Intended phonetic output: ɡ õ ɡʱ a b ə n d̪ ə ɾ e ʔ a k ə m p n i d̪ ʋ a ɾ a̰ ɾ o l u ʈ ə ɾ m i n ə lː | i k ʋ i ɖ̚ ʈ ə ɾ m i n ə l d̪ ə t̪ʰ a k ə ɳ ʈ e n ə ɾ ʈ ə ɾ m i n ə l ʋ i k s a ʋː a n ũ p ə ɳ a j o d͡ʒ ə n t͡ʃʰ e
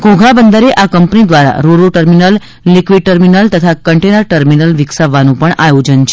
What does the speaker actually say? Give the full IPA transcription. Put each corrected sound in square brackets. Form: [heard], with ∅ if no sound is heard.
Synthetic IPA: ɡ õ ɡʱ a b ə n d̪ ə ɾ e ʔ a k ə m p n i d̪ ʋ a ɾ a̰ ɾ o [ɾ] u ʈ ə ɾ m i n ə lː | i k ʋ i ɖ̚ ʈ ə ɾ m i n ə l [t̪] ə t̪ʰ a k ə ɳ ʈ e n ə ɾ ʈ ə ɾ m i n ə l ʋ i k s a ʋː a n ũ p ə ɳ a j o d͡ʒ ə n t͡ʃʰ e